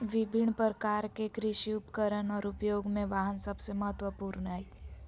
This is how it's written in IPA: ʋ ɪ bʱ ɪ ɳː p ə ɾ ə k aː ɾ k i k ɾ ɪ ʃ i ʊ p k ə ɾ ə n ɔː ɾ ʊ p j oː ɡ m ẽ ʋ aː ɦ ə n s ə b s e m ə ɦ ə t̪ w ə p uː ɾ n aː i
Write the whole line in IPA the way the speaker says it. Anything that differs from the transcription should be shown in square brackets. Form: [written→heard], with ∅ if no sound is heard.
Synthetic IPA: ʋ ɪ bʱ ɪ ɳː p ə ɾ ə k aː ɾ k [i→e] k ɾ ɪ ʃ i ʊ p k ə ɾ ə n ɔː ɾ ʊ p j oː ɡ m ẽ ʋ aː ɦ ə n s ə b s e m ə ɦ ə t̪ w ə p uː ɾ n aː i